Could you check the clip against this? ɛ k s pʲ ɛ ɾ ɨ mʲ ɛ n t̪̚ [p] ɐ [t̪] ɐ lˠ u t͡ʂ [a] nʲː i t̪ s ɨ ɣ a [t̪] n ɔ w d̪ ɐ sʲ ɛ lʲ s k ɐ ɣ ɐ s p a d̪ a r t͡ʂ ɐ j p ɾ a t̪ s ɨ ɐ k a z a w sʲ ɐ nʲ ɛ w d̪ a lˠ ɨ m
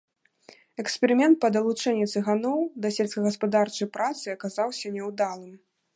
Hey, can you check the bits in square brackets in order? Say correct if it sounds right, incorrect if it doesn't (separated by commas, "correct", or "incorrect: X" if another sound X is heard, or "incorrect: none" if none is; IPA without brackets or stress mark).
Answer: correct, incorrect: d̪, incorrect: ɛ, incorrect: none